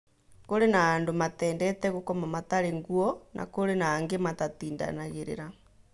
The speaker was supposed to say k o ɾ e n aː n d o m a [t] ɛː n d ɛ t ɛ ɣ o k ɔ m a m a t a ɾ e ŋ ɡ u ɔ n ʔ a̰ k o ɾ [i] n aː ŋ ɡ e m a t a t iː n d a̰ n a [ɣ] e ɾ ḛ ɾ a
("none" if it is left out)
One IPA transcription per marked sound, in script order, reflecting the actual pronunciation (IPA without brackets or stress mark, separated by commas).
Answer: t, e, ɣ